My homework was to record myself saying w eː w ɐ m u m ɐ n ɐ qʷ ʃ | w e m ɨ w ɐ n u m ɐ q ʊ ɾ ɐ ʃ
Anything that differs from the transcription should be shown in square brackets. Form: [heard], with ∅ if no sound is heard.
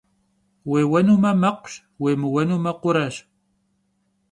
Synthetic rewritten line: w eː w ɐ [n] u m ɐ [m] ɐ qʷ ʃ | w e m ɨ w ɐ n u m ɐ q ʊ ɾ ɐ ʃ